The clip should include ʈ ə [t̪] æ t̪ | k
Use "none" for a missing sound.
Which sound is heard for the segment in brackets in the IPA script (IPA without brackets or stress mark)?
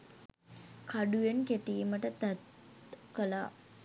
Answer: t̪